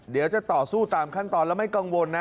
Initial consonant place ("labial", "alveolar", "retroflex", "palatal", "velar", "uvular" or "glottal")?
alveolar